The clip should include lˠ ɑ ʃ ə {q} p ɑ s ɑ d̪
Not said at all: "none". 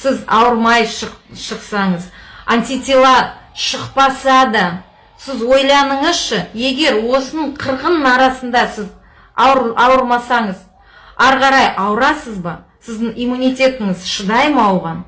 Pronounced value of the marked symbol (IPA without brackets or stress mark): q